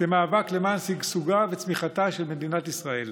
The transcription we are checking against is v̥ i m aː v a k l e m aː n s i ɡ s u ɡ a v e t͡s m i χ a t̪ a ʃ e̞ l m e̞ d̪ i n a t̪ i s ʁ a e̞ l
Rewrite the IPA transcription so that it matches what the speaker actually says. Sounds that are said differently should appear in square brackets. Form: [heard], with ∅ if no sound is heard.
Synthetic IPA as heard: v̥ [e] m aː v a k l e m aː n s i ɡ s u ɡ a v e t͡s m i χ a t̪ a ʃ e̞ l m e̞ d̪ i n a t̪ i s ʁ a e̞ l